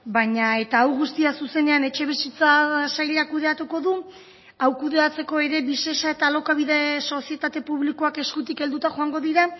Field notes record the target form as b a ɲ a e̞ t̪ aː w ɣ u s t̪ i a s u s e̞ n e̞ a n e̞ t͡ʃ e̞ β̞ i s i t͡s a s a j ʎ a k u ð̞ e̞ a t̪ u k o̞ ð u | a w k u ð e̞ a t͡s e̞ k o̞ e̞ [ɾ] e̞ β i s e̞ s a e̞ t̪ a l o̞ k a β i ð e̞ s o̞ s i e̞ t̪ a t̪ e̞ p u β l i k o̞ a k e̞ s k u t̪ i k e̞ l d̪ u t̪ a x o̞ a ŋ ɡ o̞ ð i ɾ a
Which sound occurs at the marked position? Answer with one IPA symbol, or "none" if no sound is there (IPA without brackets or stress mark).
ɾ